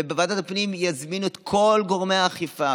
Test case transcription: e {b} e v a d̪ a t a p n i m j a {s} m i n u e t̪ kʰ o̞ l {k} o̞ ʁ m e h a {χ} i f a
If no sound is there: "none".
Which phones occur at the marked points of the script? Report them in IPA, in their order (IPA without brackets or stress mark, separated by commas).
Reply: b, z, ɡ, χ